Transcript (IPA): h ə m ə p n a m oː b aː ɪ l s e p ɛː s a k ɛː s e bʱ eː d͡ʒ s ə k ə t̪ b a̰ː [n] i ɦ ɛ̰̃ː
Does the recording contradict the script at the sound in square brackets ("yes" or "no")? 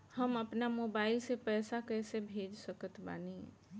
no